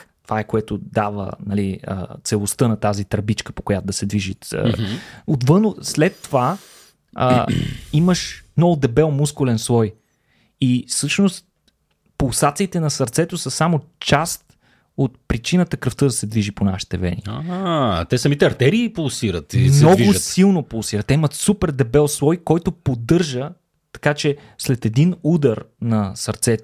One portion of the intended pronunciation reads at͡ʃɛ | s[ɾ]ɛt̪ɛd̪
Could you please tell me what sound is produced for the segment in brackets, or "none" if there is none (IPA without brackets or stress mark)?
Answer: l